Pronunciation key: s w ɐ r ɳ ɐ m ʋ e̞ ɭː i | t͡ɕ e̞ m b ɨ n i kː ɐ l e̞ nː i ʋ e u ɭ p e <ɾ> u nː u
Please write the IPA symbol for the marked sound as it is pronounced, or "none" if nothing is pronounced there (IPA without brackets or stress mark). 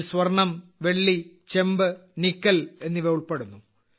ɽ